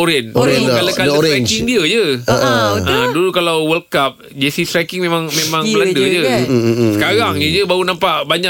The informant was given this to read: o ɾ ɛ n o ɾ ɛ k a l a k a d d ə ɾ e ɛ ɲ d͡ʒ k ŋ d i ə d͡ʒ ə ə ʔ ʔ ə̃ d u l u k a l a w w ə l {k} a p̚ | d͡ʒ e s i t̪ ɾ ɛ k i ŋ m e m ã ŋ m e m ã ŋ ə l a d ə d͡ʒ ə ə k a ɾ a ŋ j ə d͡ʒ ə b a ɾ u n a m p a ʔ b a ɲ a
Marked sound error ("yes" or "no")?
no